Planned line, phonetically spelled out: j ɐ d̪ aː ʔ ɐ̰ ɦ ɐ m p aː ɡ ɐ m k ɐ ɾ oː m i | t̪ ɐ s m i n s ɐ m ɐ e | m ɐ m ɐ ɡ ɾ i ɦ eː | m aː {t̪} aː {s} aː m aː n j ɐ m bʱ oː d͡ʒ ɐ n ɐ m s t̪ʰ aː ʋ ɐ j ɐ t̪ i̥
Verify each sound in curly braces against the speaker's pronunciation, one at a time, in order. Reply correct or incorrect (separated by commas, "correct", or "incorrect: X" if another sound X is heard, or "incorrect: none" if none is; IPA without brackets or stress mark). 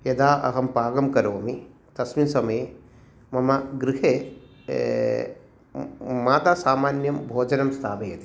correct, correct